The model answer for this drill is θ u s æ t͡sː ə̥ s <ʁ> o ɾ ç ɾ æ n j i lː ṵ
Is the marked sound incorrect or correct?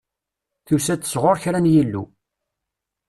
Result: correct